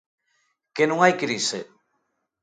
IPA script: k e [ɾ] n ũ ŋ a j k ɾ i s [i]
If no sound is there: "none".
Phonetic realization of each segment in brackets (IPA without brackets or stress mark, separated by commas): none, e